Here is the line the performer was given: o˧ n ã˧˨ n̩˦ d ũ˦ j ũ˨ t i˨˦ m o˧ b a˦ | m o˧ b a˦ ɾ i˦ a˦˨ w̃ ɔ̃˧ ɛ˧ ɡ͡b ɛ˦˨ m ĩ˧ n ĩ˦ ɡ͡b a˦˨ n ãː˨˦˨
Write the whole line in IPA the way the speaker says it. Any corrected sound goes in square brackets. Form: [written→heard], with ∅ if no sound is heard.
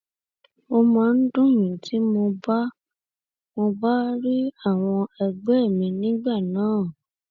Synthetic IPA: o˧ [n→m] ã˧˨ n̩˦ d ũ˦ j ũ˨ t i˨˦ m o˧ b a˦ | m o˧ b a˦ ɾ i˦ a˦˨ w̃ ɔ̃˧ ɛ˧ ɡ͡b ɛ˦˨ m ĩ˧ n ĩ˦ ɡ͡b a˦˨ n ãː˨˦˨